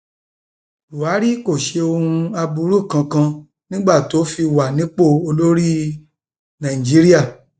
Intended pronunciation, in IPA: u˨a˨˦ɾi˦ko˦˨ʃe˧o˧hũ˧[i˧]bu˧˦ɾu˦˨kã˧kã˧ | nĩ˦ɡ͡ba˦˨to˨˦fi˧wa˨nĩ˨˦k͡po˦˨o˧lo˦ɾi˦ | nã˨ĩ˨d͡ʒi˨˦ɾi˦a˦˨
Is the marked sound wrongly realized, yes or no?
yes